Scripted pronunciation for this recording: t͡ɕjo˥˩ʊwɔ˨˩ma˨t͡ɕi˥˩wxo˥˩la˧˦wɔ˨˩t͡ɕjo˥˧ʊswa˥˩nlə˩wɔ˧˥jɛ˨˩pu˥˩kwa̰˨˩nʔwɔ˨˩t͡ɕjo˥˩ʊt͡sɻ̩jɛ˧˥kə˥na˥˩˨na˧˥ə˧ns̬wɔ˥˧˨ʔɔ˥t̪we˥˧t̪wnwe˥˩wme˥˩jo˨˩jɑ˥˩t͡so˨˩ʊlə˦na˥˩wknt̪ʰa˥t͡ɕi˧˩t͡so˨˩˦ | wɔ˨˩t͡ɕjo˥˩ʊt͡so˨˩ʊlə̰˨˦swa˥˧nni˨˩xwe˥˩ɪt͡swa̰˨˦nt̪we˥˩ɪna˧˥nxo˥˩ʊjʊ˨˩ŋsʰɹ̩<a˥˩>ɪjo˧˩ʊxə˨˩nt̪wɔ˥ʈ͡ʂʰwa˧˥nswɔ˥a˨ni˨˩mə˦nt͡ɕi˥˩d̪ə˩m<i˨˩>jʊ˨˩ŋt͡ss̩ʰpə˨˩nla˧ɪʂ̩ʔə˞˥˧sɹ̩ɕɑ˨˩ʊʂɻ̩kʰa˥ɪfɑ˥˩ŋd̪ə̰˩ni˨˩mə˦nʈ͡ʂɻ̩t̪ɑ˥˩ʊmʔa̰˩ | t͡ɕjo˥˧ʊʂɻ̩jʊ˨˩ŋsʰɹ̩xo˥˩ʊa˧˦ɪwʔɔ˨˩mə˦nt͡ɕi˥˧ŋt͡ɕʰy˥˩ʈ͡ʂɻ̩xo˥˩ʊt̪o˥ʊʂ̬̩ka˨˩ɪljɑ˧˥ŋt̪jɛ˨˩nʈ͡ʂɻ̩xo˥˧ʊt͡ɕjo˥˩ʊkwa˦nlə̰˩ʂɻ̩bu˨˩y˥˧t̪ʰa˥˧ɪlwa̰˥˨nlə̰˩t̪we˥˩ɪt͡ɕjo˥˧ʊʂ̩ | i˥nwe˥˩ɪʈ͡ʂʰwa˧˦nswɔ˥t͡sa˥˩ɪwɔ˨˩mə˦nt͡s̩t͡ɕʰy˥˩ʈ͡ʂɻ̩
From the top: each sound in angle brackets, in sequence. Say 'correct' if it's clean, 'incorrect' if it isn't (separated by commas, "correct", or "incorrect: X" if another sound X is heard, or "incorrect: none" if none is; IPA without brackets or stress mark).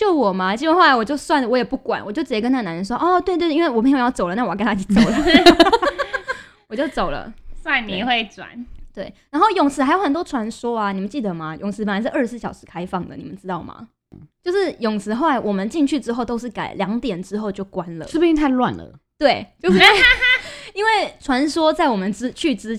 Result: incorrect: a˧˥, incorrect: a˨˩